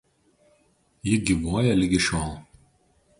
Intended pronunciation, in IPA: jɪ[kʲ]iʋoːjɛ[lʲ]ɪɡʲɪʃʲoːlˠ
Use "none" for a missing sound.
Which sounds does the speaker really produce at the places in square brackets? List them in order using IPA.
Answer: ɡʲ, lʲ

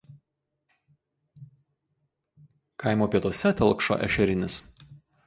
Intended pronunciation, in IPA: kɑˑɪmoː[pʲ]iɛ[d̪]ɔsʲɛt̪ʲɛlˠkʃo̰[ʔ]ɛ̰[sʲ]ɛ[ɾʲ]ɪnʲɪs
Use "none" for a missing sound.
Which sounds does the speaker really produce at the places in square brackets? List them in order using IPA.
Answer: pʲ, t̪, ʔ, ʃʲ, ɾʲ

